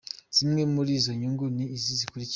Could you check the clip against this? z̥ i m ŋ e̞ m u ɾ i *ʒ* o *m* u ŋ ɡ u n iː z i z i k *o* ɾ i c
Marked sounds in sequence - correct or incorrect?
incorrect, incorrect, incorrect

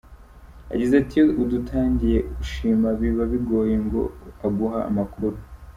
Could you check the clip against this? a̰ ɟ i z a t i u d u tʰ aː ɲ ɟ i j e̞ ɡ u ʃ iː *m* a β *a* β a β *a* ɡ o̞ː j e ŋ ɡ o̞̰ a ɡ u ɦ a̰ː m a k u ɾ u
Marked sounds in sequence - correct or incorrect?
correct, incorrect, incorrect

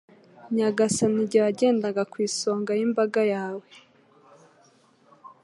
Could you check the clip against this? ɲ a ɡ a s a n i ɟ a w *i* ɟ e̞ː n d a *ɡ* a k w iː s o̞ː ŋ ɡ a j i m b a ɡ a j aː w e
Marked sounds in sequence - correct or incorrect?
incorrect, correct

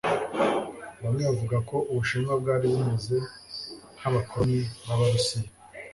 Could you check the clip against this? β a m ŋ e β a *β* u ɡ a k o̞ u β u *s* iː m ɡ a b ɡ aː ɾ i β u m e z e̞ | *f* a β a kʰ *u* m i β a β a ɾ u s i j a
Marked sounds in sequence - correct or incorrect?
incorrect, incorrect, incorrect, incorrect

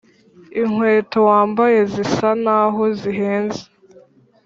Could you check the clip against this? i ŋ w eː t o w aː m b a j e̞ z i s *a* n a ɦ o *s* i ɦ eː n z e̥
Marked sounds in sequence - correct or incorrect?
correct, incorrect

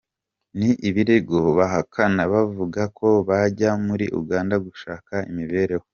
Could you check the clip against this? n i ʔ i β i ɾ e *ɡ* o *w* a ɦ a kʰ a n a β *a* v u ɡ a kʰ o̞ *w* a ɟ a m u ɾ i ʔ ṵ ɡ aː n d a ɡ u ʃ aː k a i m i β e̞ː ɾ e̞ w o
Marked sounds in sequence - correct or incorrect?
correct, incorrect, correct, incorrect

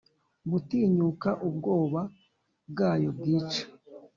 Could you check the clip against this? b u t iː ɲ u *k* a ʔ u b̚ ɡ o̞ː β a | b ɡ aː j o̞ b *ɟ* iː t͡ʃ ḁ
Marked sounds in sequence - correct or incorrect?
correct, incorrect

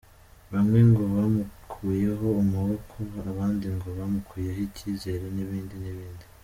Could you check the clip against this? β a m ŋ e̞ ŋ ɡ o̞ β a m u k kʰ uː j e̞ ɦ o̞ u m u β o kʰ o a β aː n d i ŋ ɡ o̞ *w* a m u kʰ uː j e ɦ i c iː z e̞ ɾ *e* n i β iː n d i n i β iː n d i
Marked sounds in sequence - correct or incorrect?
incorrect, correct

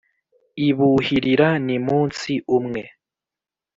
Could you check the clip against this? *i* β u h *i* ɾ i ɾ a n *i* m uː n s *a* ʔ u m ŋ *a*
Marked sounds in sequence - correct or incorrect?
correct, correct, correct, incorrect, incorrect

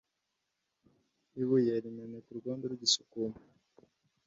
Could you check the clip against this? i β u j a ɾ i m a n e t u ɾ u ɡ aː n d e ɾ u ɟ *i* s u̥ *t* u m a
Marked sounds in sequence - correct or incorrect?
correct, incorrect

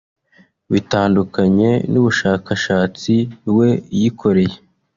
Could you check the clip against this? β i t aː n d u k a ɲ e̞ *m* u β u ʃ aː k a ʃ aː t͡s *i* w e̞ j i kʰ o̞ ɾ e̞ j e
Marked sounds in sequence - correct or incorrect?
incorrect, correct

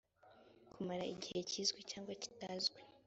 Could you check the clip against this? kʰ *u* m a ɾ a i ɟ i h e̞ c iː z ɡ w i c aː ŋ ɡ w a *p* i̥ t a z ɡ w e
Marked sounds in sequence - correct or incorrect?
correct, incorrect

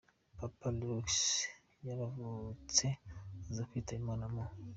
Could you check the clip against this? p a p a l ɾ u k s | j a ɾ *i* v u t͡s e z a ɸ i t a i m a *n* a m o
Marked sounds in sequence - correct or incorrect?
incorrect, correct

